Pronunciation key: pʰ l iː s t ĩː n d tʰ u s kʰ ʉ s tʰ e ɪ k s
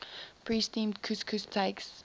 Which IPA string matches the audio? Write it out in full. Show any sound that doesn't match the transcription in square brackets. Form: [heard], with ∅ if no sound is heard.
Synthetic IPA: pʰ [ɹ] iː s t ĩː [m] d [kʰ] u s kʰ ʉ s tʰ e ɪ k s